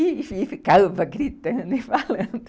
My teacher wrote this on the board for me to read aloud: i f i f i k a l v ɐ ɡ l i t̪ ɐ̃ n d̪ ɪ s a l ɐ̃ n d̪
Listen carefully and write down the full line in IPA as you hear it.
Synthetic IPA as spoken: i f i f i k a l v ɐ ɡ ɾ i t̪ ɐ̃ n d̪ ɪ f a l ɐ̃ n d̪